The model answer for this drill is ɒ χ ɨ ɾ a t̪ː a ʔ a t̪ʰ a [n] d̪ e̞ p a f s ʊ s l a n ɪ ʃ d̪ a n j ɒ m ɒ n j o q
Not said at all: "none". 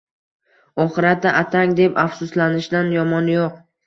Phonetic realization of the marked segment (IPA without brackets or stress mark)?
ŋ